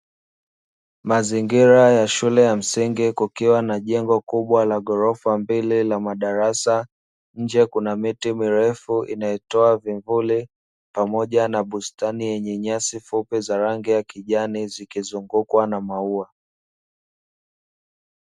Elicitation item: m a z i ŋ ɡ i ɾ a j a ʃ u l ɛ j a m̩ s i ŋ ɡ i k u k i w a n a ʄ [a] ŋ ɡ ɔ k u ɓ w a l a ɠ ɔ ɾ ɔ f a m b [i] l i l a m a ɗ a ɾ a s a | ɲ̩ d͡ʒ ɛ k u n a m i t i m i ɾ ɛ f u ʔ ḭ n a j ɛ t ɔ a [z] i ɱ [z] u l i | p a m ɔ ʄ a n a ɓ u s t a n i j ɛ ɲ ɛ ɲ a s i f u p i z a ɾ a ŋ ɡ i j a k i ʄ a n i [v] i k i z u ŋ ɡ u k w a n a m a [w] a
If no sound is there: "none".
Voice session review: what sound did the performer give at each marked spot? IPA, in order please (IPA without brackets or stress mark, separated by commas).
ɛ, i, v, v, z, u